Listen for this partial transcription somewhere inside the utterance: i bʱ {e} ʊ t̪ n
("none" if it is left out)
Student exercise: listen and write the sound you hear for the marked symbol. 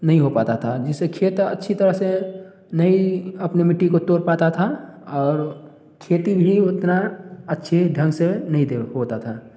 i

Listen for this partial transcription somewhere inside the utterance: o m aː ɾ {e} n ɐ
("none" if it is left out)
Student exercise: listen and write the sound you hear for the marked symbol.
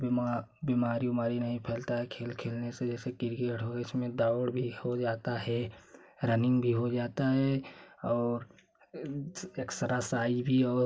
i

